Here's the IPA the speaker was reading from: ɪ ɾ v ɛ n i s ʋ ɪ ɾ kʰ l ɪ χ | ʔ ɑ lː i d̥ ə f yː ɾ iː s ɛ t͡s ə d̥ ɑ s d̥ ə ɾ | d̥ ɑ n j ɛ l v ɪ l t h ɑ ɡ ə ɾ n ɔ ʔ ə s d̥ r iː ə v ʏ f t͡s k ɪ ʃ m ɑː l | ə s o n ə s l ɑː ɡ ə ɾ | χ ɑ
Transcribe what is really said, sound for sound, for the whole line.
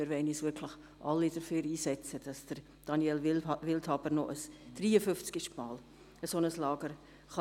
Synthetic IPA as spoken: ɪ ɾ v ɛ n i s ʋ ɪ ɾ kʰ l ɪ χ | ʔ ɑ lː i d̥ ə f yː ɾ iː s ɛ t͡s ə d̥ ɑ s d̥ ə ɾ | d̥ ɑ n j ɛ l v ɪ l t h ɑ b ə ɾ n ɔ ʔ ə s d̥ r iː ə f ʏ f t͡s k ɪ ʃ m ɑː l | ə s o n ə s l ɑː ɡ ə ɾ | χ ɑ